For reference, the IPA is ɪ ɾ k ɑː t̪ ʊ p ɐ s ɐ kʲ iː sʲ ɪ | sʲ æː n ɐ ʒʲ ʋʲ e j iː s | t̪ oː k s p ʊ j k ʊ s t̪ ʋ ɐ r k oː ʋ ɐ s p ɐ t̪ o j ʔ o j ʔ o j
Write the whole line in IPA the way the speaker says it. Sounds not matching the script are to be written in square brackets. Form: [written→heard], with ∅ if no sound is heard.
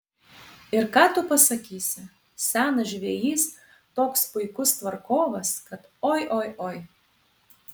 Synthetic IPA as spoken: ɪ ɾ k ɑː t̪ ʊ p ɐ s ɐ kʲ iː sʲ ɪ | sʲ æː n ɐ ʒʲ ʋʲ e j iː s | t̪ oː k s p ʊ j k ʊ s t̪ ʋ ɐ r k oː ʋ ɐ s [p→k] ɐ t̪ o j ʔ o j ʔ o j